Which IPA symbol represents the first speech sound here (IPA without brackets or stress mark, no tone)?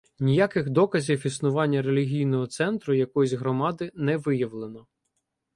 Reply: nʲ